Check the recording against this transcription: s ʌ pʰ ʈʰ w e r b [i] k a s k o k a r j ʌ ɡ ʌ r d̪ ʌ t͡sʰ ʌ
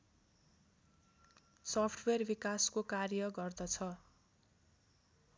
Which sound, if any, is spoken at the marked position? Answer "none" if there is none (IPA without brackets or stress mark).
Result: i